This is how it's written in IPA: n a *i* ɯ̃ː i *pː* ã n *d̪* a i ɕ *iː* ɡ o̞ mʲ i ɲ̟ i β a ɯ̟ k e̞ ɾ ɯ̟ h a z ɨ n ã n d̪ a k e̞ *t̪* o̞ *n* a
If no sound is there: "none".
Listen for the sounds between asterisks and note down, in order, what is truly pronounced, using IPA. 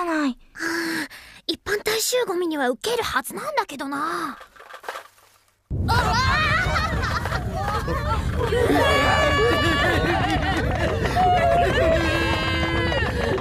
i, pː, t̪, ɨː, d̪, n

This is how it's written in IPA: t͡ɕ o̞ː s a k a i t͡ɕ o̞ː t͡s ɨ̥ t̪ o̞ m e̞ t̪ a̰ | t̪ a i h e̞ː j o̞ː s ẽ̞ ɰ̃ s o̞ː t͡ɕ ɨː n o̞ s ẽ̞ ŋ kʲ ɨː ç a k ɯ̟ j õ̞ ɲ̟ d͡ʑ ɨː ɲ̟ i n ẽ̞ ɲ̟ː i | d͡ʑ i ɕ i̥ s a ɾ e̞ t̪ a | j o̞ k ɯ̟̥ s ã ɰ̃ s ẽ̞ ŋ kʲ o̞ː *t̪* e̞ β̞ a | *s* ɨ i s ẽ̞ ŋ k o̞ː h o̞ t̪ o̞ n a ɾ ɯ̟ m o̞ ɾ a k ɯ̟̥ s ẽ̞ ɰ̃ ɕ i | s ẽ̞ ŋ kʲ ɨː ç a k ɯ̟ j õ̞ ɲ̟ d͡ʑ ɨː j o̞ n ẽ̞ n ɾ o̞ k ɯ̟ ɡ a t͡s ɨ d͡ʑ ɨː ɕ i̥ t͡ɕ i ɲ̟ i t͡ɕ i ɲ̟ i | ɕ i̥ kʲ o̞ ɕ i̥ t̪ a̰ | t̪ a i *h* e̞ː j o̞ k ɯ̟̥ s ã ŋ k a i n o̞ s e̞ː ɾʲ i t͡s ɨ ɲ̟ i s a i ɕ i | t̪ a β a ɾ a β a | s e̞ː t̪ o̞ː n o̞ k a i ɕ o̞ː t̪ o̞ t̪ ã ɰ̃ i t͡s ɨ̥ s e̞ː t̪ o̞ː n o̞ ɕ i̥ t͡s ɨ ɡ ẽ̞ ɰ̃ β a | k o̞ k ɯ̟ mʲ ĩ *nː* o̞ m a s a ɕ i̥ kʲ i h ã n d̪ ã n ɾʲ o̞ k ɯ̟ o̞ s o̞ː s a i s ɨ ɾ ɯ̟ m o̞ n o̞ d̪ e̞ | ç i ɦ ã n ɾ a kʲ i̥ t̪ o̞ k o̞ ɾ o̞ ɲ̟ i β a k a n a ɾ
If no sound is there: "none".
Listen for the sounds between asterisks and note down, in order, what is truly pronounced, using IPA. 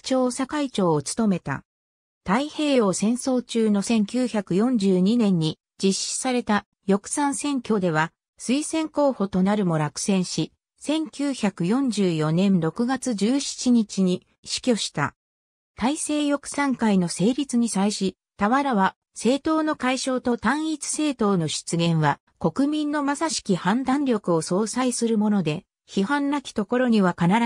d̪, s, s, nː

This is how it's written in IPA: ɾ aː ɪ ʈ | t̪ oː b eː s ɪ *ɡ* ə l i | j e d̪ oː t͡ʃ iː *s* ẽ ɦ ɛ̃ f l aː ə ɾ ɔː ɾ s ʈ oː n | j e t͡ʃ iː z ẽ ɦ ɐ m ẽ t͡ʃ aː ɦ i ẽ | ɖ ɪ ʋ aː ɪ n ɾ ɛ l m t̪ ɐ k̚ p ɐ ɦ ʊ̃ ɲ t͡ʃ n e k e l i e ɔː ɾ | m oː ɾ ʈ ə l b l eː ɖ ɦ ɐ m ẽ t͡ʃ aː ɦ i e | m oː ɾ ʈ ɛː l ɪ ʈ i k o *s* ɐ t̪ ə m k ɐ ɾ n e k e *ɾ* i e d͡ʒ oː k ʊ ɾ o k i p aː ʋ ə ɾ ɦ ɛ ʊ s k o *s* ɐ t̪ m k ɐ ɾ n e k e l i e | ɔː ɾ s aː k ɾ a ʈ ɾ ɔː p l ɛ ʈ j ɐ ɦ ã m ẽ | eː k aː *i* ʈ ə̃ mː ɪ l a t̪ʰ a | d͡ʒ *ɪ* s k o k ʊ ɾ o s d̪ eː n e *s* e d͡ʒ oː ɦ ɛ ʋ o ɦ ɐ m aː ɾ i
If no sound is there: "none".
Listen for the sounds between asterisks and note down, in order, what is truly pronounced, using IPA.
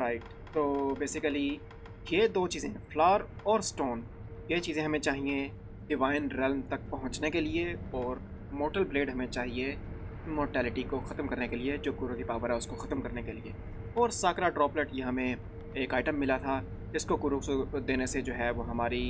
k, z, x, l, x, ɪ, ɪ, s

